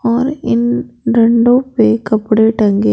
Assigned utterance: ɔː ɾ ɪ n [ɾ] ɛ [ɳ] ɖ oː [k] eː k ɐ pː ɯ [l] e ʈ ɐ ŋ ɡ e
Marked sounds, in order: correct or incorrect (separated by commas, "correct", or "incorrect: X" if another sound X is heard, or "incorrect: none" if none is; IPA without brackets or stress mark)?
correct, correct, incorrect: p, incorrect: ɽ